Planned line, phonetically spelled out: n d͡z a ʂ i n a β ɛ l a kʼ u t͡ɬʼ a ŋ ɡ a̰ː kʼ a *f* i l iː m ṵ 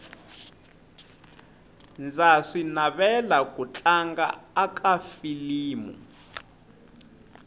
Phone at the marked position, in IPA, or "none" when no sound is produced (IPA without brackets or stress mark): f